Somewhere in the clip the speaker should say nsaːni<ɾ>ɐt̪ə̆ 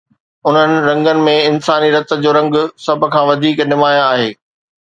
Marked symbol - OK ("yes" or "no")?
yes